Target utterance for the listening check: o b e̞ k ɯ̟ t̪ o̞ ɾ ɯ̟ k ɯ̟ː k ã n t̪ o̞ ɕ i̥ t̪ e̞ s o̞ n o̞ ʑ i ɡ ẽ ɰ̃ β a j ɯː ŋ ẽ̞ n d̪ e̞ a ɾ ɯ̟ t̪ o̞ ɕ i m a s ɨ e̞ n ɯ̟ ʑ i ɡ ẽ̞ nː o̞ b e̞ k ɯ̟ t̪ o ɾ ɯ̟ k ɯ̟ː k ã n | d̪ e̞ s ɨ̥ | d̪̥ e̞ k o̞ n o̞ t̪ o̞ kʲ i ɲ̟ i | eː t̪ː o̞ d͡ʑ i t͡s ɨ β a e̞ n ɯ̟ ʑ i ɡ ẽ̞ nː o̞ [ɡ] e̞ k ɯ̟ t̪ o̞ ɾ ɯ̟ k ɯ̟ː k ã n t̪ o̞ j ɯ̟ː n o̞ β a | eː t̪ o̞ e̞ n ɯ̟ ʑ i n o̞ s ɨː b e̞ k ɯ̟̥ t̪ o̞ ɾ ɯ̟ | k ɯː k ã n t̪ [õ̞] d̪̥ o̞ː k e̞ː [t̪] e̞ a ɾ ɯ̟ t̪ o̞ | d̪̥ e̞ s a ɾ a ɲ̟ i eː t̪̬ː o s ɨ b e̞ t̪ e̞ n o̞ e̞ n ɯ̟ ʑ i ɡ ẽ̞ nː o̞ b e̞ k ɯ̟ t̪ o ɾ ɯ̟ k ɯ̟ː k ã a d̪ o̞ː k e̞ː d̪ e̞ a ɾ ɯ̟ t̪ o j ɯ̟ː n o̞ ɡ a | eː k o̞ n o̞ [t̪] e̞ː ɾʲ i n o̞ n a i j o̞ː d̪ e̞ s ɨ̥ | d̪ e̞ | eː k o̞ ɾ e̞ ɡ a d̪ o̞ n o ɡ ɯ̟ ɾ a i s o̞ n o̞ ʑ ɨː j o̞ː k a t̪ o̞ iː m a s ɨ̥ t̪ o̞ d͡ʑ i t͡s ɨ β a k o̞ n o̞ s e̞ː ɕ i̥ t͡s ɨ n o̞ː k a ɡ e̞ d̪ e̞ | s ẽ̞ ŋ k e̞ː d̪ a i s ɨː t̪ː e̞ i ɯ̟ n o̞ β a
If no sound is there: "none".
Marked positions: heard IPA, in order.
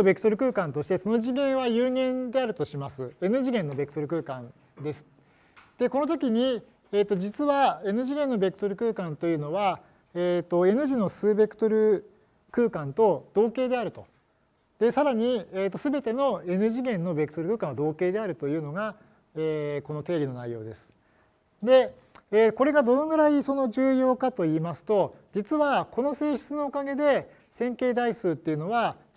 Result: b, o̞, d̪, t̪

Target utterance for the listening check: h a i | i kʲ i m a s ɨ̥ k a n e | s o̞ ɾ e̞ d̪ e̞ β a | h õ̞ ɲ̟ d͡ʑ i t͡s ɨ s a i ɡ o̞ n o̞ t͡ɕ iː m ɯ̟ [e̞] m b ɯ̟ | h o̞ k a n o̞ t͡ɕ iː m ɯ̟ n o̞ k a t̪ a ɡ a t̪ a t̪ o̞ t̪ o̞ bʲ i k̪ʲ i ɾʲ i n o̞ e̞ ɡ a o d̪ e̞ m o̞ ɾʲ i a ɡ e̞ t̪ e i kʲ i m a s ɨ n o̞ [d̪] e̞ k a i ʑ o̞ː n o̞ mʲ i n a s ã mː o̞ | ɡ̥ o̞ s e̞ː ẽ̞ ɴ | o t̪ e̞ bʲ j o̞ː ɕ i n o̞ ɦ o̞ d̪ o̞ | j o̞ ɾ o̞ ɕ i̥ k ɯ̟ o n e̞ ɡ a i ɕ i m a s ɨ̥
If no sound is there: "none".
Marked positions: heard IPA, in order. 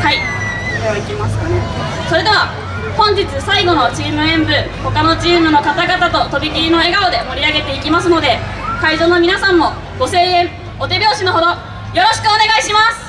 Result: ẽ̞, d̪

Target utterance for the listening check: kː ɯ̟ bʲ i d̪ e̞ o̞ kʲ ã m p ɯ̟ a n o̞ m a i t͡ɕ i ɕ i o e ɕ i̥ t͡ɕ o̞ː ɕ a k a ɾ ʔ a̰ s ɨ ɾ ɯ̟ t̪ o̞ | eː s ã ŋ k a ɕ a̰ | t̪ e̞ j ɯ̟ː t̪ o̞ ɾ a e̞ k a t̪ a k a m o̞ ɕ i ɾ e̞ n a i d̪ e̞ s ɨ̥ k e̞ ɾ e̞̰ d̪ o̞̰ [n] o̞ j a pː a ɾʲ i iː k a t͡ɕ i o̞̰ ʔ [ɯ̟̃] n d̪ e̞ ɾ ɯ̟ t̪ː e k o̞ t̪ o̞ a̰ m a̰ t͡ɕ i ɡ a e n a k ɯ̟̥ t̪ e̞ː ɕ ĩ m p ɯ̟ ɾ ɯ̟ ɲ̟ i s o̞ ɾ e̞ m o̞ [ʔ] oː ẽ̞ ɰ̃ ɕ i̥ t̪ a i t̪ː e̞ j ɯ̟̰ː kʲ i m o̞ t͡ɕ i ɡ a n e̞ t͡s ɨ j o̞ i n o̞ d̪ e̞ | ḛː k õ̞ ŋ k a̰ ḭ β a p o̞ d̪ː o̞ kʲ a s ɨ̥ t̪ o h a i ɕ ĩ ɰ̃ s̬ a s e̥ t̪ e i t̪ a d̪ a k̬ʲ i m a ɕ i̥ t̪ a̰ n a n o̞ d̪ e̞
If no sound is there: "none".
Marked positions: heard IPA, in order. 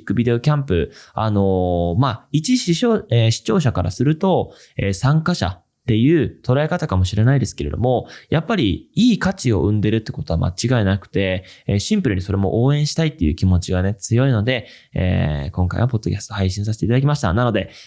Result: m, ɯ̟̃, ʔ

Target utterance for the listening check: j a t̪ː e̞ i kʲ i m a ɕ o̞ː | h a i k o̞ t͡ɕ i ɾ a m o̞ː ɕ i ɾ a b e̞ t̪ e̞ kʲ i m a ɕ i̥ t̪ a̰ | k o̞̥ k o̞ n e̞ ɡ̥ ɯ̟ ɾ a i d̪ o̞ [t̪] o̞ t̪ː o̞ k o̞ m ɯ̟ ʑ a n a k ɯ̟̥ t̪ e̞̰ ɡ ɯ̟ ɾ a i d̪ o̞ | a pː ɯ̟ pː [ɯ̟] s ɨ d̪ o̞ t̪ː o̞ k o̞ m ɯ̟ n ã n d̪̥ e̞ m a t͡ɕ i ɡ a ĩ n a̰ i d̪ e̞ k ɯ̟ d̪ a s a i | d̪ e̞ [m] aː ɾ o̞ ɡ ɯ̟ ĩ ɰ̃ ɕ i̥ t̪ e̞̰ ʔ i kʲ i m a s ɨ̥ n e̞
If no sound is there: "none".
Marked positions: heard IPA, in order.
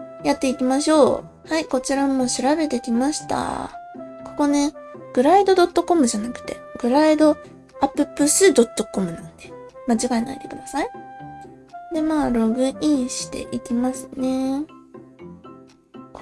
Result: d̪, ɯ̟, m

